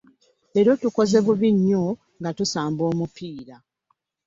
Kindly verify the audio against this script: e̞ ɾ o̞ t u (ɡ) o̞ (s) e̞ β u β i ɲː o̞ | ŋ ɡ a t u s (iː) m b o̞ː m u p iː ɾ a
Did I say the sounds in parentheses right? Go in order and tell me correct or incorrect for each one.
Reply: incorrect, incorrect, incorrect

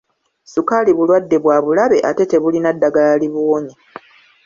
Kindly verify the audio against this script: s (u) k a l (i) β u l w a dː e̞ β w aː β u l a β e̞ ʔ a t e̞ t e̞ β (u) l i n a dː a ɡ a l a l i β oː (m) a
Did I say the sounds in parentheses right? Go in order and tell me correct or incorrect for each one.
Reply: correct, correct, correct, incorrect

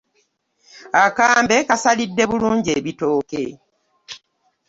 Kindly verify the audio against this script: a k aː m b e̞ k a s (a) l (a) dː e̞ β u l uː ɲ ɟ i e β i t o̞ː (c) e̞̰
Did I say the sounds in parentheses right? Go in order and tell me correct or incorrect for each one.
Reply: correct, incorrect, incorrect

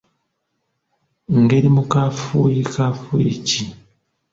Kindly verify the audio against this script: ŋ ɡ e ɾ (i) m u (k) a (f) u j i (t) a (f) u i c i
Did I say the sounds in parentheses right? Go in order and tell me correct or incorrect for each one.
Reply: correct, correct, correct, incorrect, correct

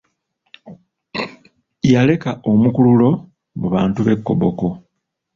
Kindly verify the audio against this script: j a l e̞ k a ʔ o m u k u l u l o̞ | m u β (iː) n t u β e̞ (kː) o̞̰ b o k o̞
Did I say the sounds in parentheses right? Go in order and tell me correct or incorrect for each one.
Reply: incorrect, correct

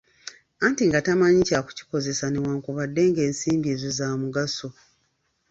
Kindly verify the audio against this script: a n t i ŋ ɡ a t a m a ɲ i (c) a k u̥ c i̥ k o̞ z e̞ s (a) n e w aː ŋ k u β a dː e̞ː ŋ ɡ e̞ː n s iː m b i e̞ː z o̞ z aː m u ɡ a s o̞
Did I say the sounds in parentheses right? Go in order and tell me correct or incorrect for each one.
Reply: correct, correct

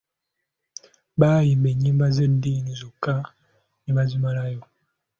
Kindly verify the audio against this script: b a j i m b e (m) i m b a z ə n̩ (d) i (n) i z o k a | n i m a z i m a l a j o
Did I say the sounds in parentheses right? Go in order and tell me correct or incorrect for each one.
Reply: incorrect, correct, correct

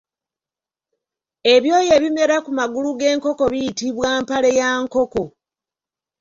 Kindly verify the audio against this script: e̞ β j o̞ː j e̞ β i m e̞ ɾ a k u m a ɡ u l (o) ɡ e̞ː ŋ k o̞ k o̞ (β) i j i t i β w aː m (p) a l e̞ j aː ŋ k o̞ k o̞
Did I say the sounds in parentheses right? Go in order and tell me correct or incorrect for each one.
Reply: incorrect, correct, correct

